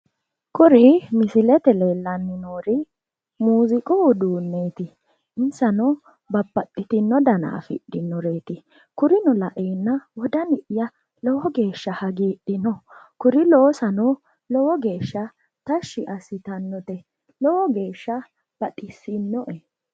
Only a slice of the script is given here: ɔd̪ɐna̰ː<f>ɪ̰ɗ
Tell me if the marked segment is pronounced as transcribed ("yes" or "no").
yes